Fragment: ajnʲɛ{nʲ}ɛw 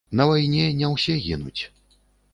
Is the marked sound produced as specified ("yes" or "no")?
yes